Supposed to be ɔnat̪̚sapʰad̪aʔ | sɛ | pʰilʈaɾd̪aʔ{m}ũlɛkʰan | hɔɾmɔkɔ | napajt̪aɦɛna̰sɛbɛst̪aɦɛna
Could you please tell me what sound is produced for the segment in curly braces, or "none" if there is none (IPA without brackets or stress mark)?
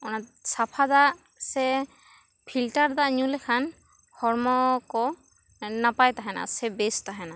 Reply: ɲ